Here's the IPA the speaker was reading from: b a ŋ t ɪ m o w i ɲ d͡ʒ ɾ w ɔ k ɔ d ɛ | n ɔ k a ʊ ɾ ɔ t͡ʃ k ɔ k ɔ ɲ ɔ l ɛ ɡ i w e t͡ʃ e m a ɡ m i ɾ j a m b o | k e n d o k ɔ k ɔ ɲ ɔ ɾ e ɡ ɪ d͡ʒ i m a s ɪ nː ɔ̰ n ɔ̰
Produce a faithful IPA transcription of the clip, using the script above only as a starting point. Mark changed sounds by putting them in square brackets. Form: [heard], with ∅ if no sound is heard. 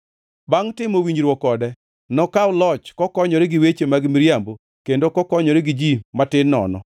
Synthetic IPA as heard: b a ŋ t ɪ m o w i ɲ d͡ʒ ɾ w ɔ k ɔ d ɛ | n ɔ k a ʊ [l] ɔ t͡ʃ k ɔ k ɔ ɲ ɔ [ɾ] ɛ ɡ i w e t͡ʃ e m a ɡ m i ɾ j a m b o | k e n d o k ɔ k ɔ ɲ ɔ ɾ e ɡ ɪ d͡ʒ i m a [t] ɪ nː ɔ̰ n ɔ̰

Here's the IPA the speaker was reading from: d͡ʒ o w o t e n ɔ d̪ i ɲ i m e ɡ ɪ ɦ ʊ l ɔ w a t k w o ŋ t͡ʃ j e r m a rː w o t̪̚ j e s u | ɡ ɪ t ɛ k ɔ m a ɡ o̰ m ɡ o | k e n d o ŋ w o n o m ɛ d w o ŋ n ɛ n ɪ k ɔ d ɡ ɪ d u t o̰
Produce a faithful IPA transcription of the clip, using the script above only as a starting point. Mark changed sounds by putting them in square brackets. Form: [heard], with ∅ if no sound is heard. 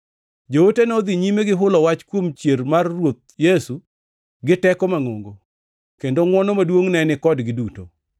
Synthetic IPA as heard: d͡ʒ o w o t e n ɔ d̪ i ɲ i m e ɡ ɪ ɦ ʊ l ɔ w a [t͡ʃ] k w o [m] t͡ʃ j e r m a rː w o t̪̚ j e s u | ɡ ɪ t ɛ k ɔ m a [ŋ] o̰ [ŋ] ɡ o | k e n d o ŋ w [ɔ] n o m [a] d w o ŋ n ɛ n ɪ k ɔ d ɡ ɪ d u t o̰

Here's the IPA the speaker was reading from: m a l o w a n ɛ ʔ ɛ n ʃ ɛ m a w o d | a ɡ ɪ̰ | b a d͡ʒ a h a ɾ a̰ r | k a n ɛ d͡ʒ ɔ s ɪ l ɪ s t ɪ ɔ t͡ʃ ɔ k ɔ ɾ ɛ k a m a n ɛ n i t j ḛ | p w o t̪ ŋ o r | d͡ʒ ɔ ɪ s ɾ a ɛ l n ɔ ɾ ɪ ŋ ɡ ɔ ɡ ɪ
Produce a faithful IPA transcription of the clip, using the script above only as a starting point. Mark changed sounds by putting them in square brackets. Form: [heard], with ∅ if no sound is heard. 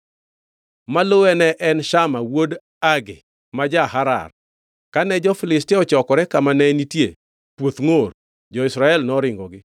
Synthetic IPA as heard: m a l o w [ɛ] n ɛ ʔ ɛ n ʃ [a] m a w o d | a ɡ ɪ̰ | [m] a d͡ʒ a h a ɾ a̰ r | k a n ɛ d͡ʒ ɔ [f] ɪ l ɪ s t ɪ ɔ t͡ʃ ɔ k ɔ ɾ ɛ k a m a n ɛ n i t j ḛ | p w o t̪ ŋ o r | d͡ʒ ɔ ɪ s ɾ a ɛ l n ɔ ɾ ɪ ŋ ɡ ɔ ɡ ɪ

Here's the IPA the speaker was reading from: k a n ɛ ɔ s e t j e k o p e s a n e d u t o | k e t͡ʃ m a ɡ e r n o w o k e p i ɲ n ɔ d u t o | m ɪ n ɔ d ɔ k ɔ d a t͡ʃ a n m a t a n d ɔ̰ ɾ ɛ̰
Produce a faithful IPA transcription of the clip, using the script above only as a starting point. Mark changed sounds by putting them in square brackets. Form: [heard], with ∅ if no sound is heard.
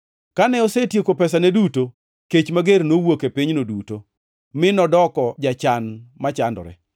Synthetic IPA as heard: k a n ɛ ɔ s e t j e k o p [ɛ] s a n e d u t o | k e t͡ʃ m a ɡ e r n o w o k e p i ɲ n [o] d u t o | m ɪ n ɔ d ɔ k ɔ [d͡ʒ] a t͡ʃ a n m a [t͡ʃ] a n d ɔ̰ ɾ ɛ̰

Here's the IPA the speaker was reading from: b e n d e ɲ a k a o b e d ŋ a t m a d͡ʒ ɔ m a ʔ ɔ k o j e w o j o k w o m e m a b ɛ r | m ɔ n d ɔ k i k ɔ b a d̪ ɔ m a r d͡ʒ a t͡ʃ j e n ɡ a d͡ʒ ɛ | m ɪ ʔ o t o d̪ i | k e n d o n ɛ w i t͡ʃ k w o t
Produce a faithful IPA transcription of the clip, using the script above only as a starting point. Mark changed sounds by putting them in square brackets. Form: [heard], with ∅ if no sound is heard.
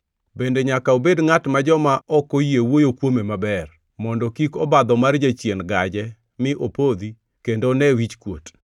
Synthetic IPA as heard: b e n d e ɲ a k a o b e d ŋ a t m a d͡ʒ ɔ m a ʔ ɔ k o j e w o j o k w o m e m a b ɛ r | m ɔ n d ɔ k i k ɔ b a d̪ ɔ m a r d͡ʒ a t͡ʃ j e n ɡ a d͡ʒ ɛ | m ɪ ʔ o [p] o d̪ i | k e n d o n ɛ w i t͡ʃ k w o t

